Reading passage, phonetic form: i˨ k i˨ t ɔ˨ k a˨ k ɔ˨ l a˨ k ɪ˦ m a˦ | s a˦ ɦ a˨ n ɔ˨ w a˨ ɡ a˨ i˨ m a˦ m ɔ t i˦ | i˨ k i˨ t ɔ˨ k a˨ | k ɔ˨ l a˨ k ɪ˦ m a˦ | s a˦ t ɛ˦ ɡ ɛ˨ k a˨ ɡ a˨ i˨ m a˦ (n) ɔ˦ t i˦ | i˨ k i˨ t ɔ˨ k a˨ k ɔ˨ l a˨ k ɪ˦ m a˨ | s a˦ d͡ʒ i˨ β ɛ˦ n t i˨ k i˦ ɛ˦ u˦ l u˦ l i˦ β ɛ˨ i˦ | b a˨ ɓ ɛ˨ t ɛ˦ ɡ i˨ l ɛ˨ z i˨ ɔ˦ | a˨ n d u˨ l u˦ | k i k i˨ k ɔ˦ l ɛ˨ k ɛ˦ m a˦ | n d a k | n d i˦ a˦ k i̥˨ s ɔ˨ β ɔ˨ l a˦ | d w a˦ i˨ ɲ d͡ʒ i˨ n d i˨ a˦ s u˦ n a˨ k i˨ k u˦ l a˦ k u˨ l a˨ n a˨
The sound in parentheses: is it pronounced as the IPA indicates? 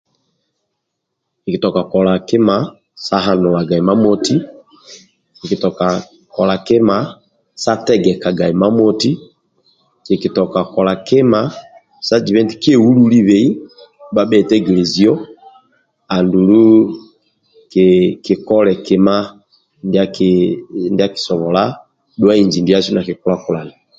no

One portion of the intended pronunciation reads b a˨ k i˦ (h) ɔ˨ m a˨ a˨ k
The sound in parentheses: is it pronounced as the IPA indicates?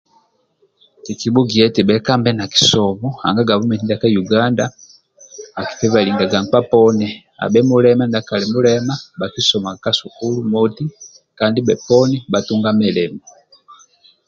no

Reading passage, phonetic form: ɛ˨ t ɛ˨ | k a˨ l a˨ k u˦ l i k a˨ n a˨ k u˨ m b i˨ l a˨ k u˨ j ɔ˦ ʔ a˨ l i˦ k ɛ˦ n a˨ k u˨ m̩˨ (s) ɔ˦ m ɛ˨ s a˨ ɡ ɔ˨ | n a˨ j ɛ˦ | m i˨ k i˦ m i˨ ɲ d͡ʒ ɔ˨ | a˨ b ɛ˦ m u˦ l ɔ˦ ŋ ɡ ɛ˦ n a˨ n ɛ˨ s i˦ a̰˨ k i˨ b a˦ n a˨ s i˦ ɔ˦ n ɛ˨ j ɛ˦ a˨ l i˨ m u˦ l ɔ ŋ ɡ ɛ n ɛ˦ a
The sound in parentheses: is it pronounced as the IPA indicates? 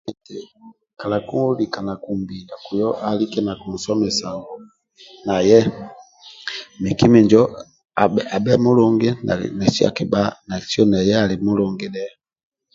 yes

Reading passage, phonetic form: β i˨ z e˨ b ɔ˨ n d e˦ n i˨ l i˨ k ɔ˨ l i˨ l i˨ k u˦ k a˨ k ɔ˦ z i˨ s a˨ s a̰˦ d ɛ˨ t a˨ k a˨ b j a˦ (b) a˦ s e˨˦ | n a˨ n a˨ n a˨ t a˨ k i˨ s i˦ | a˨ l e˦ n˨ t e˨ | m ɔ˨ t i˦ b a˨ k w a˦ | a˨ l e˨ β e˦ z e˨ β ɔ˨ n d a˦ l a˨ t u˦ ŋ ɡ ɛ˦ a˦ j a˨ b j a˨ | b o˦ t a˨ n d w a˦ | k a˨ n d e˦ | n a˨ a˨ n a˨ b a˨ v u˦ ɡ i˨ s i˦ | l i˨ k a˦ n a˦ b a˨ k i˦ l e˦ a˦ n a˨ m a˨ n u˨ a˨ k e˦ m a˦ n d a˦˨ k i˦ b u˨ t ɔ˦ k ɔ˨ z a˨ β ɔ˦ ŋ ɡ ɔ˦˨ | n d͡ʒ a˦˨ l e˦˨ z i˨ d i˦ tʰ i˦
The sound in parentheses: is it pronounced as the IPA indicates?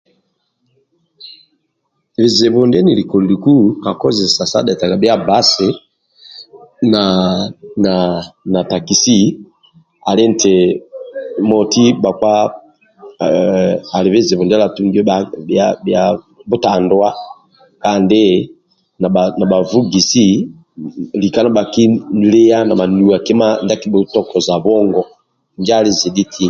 yes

